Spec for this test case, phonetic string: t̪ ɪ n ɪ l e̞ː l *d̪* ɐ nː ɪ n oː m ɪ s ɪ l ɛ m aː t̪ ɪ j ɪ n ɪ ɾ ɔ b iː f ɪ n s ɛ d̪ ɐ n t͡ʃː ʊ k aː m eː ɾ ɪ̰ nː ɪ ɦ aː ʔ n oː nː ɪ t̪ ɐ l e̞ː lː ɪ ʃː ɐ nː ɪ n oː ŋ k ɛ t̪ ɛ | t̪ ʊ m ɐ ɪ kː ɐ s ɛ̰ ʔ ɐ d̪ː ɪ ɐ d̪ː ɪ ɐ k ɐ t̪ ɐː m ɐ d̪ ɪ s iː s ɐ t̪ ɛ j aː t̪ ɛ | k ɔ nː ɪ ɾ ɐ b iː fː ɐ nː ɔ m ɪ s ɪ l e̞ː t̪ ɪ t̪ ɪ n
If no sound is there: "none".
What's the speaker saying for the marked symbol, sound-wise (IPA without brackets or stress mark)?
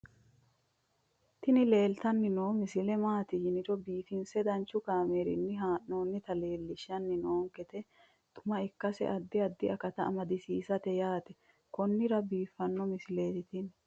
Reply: t̪